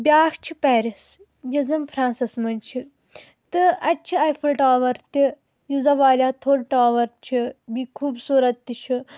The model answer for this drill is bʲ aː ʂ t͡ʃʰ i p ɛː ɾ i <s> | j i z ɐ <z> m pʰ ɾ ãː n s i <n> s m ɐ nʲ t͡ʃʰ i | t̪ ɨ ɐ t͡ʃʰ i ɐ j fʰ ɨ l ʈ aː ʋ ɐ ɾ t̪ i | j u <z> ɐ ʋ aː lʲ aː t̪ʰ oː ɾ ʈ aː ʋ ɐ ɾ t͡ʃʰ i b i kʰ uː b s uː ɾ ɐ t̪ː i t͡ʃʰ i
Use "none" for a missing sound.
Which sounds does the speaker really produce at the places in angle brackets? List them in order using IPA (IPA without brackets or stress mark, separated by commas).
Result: s, none, none, z